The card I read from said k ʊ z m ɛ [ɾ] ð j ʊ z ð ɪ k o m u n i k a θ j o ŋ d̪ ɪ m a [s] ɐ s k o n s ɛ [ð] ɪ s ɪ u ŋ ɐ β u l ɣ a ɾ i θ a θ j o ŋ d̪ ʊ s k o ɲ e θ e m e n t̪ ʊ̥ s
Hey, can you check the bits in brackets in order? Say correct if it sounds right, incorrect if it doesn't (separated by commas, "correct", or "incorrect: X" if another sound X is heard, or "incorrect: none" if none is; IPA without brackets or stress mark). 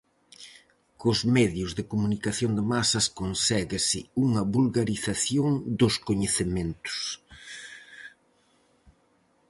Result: incorrect: none, correct, incorrect: ɣ